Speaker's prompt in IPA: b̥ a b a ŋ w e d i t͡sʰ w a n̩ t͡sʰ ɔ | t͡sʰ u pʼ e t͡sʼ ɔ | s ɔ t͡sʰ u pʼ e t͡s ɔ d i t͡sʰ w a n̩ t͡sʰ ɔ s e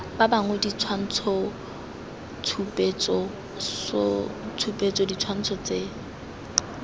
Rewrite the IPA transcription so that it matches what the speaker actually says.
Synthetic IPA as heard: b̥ a b a ŋ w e d i t͡sʰ w a n̩ t͡sʰ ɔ | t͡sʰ u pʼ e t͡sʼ ɔ | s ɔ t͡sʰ u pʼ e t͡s ɔ d i t͡sʰ w a n̩ t͡sʰ ɔ t͡s e

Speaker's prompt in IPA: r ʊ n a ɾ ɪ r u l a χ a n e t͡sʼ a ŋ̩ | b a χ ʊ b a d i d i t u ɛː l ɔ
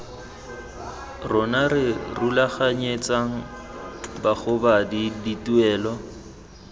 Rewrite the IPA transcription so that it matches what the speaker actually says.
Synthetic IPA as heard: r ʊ n a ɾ ɪ r u l a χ a ɲ e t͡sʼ a ŋ̩ | b a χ ʊ b a d i d i t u ɛː l ɔ

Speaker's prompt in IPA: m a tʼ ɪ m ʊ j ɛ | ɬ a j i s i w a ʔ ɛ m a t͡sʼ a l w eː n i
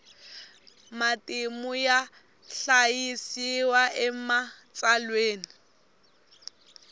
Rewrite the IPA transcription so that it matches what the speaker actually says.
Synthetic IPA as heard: m a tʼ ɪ m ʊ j a | ɬ a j i s i w a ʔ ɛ m a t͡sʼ a l w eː n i

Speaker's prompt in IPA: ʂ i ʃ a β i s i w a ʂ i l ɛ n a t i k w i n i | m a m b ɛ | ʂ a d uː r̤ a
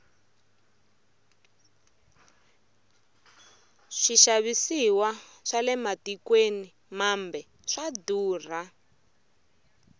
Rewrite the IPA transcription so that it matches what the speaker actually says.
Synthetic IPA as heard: ʂ i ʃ a β i s i w a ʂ a l ɛ m a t i k w e n i | m a m b ɛ | ʂ a d uː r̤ a

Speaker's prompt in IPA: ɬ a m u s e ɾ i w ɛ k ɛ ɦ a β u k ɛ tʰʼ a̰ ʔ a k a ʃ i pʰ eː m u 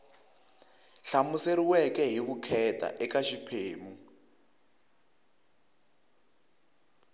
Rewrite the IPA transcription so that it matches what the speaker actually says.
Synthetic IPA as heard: ɬ a m u s e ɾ i w ɛ k ɛ ɦ i β u kʰ ɛ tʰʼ a̰ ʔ ɛ k a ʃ i pʰ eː m u

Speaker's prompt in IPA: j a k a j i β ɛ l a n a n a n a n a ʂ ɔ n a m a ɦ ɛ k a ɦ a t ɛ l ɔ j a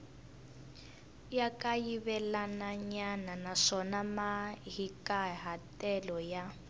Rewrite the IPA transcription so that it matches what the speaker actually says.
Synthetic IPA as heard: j a k a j i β ɛ l a n a ɲ a n a n a ʂ ɔ n a m a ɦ i k a ɦ a t ɛ l ɔ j a

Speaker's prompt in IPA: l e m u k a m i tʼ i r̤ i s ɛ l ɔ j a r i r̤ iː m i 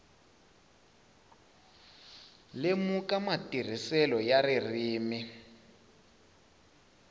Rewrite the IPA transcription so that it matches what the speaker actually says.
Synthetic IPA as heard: l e m u k a m a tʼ i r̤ i s ɛ l ɔ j a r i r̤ iː m i

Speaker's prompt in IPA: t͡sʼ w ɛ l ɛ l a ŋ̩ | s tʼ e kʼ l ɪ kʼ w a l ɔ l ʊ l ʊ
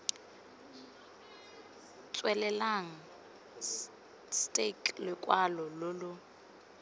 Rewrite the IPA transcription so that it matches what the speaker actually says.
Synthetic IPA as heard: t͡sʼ w ɛ l ɛ l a ŋ̩ | s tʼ e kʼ l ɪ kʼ w a l ɔ l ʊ l ʊ

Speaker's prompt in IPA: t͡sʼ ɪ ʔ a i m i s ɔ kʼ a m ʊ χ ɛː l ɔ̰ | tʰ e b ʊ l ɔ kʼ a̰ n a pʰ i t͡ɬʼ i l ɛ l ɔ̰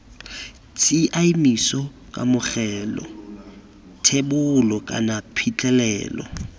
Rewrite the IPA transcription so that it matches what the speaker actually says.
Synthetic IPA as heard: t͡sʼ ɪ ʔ a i m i s ɔ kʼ a m ʊ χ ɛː l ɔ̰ | tʰ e b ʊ l ɔ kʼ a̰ n a pʰ i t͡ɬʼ ɛ l ɛː l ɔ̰

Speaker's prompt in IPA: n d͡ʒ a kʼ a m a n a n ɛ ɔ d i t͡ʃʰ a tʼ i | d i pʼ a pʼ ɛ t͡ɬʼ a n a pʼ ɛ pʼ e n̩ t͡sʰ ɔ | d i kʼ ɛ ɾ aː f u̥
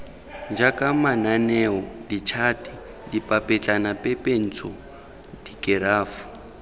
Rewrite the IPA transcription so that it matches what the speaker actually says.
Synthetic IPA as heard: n d͡ʒ a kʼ a m a n a n ɛ ɔ d i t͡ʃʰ a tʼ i | d i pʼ a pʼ ɛ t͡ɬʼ a n a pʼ ɛ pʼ e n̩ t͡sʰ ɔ | d i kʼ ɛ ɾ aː f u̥

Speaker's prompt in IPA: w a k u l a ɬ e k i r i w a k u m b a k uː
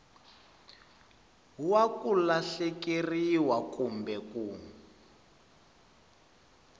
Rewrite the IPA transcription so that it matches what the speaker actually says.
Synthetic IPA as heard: w a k u l a ɬ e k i r i w a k u m b ɛ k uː

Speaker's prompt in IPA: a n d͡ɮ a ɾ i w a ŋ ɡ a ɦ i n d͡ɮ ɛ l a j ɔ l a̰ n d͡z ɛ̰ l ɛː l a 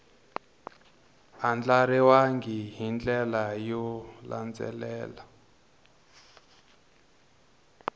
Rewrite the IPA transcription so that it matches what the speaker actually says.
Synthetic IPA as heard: a n d͡ɮ a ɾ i w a ŋ ɡ i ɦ i n d͡ɮ ɛ l a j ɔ l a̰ n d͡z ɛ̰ l ɛː l a

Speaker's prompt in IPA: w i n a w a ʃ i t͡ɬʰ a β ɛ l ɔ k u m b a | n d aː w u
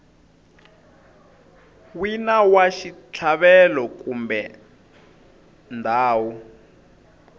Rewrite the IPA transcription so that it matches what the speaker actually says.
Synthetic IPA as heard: w i n a w a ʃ i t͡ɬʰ a β ɛ l ɔ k u m b ɛ | n d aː w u

